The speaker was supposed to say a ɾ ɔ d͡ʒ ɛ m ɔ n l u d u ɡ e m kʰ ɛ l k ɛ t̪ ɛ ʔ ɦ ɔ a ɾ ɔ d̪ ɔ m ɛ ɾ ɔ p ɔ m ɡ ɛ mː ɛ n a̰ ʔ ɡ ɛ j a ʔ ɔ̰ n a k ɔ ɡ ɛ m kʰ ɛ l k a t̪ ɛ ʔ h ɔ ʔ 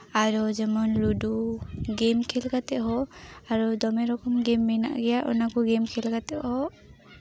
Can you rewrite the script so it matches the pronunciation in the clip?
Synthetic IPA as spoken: a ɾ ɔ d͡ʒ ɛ m ɔ n l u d u ɡ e m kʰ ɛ l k a t̪ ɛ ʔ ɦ ɔ a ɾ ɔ d̪ ɔ m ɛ ɾ ɔ k ɔ m ɡ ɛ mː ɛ n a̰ ʔ ɡ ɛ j a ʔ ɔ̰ n a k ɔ ɡ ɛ m kʰ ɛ l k a t̪ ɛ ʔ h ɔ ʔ